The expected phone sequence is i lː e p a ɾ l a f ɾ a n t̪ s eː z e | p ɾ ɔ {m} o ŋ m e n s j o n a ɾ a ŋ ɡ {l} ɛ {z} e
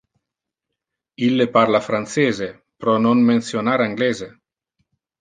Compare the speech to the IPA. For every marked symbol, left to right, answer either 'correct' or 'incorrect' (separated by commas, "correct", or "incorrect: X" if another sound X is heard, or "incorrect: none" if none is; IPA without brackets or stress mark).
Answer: incorrect: n, correct, correct